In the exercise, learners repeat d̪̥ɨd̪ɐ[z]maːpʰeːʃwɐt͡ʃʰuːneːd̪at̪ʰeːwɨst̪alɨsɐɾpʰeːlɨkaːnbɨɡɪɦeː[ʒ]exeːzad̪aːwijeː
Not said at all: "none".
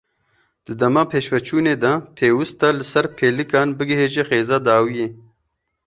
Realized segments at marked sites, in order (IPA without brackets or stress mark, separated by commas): none, ʒ